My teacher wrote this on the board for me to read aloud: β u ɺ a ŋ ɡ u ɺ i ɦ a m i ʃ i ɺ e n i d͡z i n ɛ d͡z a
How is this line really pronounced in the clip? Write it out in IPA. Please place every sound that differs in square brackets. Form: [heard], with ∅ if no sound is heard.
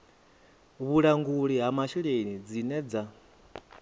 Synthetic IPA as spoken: β u ɺ a ŋ ɡ u ɺ i ɦ a m [a] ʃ i ɺ e n i d͡z i n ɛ d͡z a